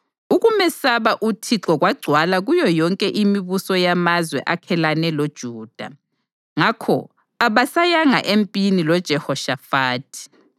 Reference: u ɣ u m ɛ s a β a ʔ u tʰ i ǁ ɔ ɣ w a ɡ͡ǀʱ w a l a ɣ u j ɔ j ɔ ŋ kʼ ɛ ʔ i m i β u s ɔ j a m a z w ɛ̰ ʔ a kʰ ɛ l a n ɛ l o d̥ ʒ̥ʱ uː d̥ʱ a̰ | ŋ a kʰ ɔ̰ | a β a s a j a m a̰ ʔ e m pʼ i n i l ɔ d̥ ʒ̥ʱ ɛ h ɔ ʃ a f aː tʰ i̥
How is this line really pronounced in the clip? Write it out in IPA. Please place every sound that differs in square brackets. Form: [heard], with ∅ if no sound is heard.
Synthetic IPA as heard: u ɣ u m ɛ s a β a ʔ u tʰ i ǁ ɔ ɣ w a ɡ͡ǀʱ w a l a ɣ u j ɔ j ɔ ŋ kʼ ɛ ʔ i m i β u s ɔ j a m a z w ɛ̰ ʔ a kʰ ɛ l a n ɛ l o d̥ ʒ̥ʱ uː d̥ʱ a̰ | ŋ a kʰ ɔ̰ | a β a s a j a [ŋ] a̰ ʔ e m pʼ i n i l ɔ d̥ ʒ̥ʱ ɛ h ɔ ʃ a f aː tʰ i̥